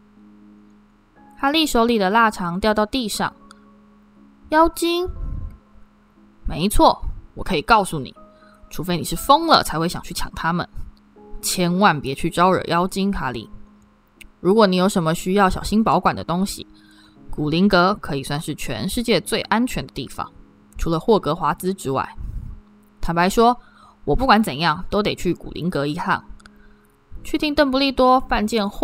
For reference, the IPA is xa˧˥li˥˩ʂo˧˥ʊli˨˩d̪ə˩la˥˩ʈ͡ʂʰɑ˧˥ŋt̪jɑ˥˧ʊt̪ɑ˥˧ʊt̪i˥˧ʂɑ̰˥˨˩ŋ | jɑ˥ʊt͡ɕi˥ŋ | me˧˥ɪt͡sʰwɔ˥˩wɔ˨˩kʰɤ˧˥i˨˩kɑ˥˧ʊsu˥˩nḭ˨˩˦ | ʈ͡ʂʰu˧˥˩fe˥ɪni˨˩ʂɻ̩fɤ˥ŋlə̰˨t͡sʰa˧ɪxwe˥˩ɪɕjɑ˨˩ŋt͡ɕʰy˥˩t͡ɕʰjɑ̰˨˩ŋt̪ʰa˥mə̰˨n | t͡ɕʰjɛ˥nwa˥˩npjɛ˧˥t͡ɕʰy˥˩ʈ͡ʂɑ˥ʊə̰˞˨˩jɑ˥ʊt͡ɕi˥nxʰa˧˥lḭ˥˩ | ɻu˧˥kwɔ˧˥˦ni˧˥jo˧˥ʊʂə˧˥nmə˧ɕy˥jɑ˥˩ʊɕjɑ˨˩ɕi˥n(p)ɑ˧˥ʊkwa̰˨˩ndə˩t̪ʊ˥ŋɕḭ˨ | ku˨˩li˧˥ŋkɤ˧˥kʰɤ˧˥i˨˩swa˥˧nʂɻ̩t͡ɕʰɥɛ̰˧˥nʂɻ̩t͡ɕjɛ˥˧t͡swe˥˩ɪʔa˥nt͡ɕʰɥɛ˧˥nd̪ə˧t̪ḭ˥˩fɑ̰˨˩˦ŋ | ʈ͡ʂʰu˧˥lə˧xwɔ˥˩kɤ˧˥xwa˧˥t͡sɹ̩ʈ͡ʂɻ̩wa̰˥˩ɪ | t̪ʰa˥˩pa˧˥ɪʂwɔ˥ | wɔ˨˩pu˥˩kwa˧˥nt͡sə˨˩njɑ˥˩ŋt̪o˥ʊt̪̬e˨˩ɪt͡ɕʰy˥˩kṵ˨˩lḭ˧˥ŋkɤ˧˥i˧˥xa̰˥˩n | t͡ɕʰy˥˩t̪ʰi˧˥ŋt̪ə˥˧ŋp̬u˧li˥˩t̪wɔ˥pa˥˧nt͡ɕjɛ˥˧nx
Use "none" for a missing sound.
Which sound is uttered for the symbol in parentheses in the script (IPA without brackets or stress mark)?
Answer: p